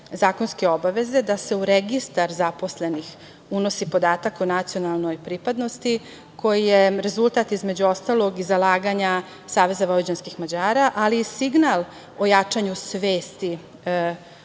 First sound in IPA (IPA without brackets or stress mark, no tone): z